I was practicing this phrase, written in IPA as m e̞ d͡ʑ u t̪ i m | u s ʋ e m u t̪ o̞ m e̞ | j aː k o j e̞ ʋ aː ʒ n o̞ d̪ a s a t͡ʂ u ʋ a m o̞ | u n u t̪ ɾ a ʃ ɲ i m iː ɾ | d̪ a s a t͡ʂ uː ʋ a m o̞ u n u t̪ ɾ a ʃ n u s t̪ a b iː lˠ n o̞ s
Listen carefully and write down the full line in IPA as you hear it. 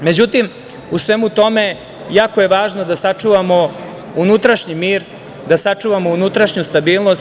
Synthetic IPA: m e̞ d͡ʑ u t̪ i m | u s ʋ e m u t̪ o̞ m e̞ | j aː k o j e̞ ʋ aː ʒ n o̞ d̪ a s a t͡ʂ u ʋ a m o̞ | u n u t̪ ɾ a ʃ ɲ i m iː ɾ | d̪ a s a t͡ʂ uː ʋ a m o̞ u n u t̪ ɾ a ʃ ɲ u s t̪ a b iː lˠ n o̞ s